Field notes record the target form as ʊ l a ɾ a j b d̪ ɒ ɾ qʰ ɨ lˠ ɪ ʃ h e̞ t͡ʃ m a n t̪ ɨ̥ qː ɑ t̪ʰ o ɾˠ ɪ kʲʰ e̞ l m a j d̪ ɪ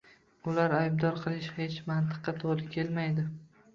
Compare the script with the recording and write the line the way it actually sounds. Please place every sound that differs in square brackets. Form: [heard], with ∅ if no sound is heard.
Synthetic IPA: ʊ l a ɾ a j b d̪ ɒ ɾ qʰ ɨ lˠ ɪ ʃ h e̞ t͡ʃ m a n t̪ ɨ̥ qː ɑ t̪ʰ o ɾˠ ɪ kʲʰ e̞ l m a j d̪ ɪ